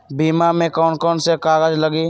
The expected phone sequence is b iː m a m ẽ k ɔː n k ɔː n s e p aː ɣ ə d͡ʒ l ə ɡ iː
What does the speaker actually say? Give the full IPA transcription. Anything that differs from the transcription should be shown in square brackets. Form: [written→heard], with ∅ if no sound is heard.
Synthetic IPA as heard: b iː m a m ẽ k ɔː n k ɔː n s e [p→k] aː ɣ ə d͡ʒ l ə ɡ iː

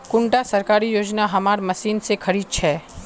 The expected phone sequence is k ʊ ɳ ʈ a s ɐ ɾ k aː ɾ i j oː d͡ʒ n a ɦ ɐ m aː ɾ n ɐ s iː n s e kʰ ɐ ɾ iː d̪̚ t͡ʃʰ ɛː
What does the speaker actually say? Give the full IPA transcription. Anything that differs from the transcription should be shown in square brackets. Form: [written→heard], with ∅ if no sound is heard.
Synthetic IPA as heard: k ʊ ɳ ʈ a s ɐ ɾ k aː ɾ i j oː d͡ʒ n a ɦ ɐ m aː ɾ [n→m] ɐ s iː n s e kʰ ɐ ɾ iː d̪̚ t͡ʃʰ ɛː

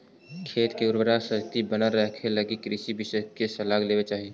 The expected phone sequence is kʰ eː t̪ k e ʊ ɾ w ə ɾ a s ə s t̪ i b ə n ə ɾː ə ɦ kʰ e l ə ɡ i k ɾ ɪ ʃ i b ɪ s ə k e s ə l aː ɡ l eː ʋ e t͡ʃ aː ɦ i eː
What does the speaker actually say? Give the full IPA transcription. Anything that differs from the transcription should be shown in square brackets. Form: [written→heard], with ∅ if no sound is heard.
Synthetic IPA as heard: kʰ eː t̪ k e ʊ ɾ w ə ɾ a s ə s t̪ i b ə n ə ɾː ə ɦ kʰ e l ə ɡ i k ɾ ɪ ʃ i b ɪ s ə k e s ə l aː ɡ l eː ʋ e t͡ʃ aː ɦ i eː

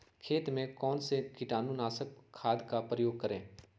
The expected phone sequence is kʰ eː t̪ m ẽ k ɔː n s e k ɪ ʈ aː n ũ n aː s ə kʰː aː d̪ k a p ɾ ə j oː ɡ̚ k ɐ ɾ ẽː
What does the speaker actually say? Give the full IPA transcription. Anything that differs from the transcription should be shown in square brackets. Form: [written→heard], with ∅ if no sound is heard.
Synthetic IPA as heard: kʰ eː t̪ m ẽ k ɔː n s e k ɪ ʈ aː n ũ n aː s ə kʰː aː d̪ k a p ɾ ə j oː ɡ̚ k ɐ ɾ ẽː

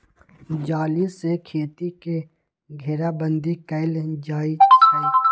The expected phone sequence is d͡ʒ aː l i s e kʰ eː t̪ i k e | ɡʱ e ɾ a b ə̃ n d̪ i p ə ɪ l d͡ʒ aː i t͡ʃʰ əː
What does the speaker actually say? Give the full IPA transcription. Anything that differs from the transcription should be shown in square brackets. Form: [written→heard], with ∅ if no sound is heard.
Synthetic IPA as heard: d͡ʒ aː l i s e kʰ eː t̪ i k e | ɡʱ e ɾ a b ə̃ n d̪ i [p→k] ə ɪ l d͡ʒ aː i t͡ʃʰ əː

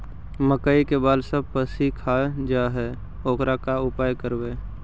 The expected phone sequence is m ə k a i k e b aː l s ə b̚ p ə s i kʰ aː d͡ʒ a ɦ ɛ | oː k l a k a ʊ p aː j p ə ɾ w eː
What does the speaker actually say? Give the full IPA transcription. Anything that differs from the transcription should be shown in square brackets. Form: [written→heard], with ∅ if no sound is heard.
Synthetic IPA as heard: m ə k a i k e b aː l s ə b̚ p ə s i kʰ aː d͡ʒ a ɦ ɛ | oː k [l→ɾ] a k a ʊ p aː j [p→k] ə ɾ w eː

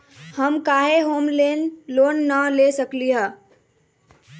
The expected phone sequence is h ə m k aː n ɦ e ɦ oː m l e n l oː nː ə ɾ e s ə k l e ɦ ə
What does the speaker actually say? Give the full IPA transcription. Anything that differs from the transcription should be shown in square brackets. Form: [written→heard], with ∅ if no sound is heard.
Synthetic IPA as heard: h ə m k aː [n→∅] ɦ e ɦ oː m l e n l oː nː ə [ɾ→l] e s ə k l [e→i] ɦ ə

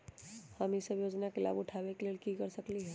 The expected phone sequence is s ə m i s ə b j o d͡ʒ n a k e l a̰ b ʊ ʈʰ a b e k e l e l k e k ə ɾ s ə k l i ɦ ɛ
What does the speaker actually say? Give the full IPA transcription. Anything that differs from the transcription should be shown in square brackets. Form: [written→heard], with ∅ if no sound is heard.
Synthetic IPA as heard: [s→h] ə m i s ə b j o d͡ʒ n a k e l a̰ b ʊ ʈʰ a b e k e l e l k [e→i] k ə ɾ s ə k l i ɦ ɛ

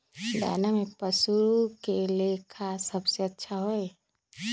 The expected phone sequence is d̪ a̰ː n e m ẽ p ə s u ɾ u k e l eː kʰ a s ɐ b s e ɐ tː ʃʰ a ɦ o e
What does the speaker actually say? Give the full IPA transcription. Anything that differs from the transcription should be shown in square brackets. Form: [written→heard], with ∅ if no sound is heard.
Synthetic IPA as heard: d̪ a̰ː n [e→a] m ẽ p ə s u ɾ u k e l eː kʰ a s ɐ b s e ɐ tː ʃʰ a ɦ o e

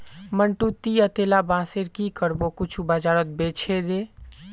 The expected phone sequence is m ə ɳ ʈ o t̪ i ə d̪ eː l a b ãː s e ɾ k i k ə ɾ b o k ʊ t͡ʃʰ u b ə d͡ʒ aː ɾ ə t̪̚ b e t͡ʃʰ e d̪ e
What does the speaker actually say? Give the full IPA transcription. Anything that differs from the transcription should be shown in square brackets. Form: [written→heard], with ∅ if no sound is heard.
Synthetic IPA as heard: m ə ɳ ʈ [o→u] t̪ i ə [d̪→t̪] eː l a b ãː s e ɾ k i k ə ɾ b o k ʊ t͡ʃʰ u b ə d͡ʒ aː ɾ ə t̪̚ b e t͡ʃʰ e d̪ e

